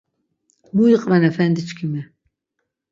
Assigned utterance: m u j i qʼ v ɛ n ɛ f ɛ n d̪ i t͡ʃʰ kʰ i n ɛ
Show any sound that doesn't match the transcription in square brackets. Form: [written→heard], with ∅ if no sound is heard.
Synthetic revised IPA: m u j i qʼ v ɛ n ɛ f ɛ n d̪ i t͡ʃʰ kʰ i [n→m] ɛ